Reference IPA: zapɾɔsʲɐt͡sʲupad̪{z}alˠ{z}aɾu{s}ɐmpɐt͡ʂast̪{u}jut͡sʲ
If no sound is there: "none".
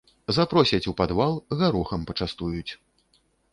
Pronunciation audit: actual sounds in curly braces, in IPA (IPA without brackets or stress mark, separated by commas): v, ɣ, x, u